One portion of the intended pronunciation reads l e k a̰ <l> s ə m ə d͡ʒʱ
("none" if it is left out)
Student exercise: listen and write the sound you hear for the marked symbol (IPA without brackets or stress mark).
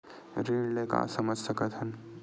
none